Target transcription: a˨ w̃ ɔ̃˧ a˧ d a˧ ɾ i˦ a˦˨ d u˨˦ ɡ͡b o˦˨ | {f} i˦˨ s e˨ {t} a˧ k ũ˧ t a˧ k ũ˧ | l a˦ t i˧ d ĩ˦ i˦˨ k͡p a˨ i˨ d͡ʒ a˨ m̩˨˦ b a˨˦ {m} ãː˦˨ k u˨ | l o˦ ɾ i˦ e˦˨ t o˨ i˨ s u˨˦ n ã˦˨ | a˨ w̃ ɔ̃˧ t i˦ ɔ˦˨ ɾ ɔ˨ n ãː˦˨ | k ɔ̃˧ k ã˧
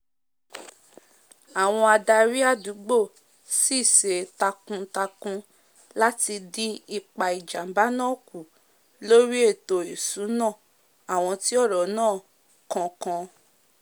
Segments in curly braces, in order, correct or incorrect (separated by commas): incorrect, correct, incorrect